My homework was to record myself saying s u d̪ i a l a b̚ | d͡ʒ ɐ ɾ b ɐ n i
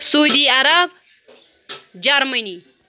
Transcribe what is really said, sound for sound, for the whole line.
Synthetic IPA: s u d̪ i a ɾ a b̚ | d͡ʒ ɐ ɾ m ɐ n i